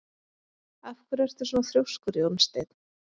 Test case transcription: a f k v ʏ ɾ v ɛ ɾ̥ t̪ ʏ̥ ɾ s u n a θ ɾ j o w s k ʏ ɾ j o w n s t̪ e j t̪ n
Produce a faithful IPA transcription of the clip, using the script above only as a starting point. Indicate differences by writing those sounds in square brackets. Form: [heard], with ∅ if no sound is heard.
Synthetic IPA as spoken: a f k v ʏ ɾ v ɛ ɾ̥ t̪ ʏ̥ [∅] s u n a θ ɾ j o w s k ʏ ɾ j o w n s t̪ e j t̪ n